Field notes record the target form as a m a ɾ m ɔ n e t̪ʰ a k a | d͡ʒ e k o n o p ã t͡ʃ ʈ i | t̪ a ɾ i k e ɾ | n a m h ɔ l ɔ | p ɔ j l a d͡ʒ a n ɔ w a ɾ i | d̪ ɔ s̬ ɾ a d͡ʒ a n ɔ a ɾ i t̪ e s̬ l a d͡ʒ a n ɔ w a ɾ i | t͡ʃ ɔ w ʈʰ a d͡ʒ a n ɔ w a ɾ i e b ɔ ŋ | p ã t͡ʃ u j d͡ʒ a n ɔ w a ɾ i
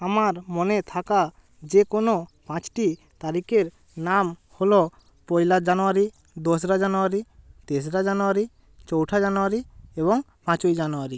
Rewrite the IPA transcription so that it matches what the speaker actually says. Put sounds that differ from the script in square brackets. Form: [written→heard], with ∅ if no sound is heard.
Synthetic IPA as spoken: a m a ɾ m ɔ n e t̪ʰ a k a | d͡ʒ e k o n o p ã t͡ʃ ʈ i | t̪ a ɾ i k e ɾ | n a m h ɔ l ɔ | p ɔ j l a d͡ʒ a n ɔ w a ɾ i | d̪ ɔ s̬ ɾ a d͡ʒ a n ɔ a ɾ i t̪ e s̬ [l→ɾ] a d͡ʒ a n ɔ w a ɾ i | t͡ʃ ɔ w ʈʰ a d͡ʒ a n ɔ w a ɾ i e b ɔ ŋ | p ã t͡ʃ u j d͡ʒ a n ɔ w a ɾ i